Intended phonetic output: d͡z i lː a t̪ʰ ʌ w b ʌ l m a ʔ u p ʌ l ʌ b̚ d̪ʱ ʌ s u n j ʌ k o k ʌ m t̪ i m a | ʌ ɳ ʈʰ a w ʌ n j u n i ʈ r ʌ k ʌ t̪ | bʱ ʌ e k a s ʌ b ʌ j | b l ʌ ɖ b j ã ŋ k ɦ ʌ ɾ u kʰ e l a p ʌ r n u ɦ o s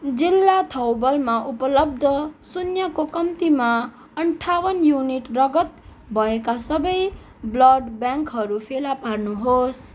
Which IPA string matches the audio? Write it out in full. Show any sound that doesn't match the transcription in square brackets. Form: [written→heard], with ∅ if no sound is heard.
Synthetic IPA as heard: d͡z i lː a t̪ʰ ʌ w b ʌ l m a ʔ u p ʌ l ʌ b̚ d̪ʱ ʌ s u n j ʌ k o k ʌ m t̪ i m a | ʌ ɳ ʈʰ a w ʌ n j u n i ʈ r ʌ [k→ɡ] ʌ t̪ | bʱ ʌ e k a s ʌ b ʌ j | b l ʌ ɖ b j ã ŋ k ɦ ʌ ɾ u [kʰ→pʰ] e l a p [ʌ→a] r n u ɦ o s